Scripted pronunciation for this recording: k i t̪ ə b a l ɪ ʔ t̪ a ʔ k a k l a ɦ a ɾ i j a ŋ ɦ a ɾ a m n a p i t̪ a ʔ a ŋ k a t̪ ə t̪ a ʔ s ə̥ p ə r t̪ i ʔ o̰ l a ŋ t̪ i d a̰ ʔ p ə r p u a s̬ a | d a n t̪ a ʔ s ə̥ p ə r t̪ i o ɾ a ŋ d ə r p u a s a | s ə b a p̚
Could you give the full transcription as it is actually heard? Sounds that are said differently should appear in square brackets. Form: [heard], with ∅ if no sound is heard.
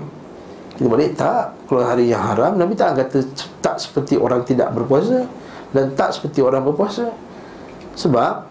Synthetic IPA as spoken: k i t̪ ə b a l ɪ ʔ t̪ a ʔ k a [∅] l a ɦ a ɾ i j a ŋ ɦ a ɾ a m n a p i t̪ a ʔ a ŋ k a t̪ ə t̪ a ʔ s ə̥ p ə r t̪ i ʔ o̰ [ɾ] a ŋ t̪ i d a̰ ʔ [b] ə r p u a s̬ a | d a n t̪ a ʔ s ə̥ p ə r t̪ i o ɾ a ŋ [b] ə r p u a s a | s ə b a p̚